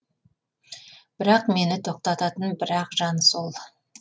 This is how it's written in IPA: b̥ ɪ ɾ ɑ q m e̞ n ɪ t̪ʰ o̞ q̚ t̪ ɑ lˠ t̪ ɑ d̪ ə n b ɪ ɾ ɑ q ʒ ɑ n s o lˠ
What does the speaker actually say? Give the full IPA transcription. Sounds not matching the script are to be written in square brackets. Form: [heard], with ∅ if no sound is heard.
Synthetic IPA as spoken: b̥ ɪ ɾ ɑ q m e̞ n ɪ t̪ʰ o̞ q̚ t̪ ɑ [∅] t̪ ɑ [t̪] ə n b ɪ ɾ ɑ q ʒ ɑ n s o lˠ